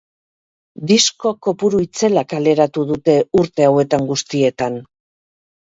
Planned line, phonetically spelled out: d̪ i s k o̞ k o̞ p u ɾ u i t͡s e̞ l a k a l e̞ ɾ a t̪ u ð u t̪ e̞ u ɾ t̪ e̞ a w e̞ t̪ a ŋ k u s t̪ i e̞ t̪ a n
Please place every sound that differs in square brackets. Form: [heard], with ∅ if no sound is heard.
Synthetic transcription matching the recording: d̪ i s k o̞ k o̞ p u ɾ u i t͡s e̞ l a k a l e̞ ɾ a t̪ u ð u t̪ e̞ u ɾ t̪ e̞ a w e̞ t̪ a ŋ [ɡ] u s t̪ i e̞ t̪ a n